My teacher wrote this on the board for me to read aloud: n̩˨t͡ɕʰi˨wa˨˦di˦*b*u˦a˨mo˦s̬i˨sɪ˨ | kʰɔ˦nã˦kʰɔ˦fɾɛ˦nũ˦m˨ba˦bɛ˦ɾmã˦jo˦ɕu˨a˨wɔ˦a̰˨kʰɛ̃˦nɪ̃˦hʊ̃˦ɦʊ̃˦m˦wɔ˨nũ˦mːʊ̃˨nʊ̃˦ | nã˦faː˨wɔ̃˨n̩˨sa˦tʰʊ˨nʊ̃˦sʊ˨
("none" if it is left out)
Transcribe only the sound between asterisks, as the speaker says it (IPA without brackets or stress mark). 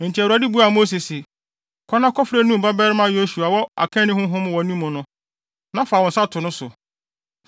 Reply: b